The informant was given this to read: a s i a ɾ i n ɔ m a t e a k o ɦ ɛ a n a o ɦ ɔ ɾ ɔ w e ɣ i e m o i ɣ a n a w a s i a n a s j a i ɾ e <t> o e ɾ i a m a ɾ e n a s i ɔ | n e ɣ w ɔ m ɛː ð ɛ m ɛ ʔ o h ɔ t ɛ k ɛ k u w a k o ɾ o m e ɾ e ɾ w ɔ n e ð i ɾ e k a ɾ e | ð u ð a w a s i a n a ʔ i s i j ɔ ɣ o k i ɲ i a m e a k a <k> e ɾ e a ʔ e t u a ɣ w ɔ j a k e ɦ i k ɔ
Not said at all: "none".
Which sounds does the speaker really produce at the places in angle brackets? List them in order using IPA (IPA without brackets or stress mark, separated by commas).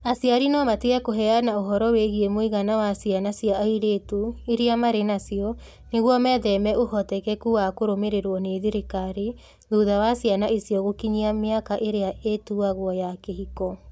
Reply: t, ʔ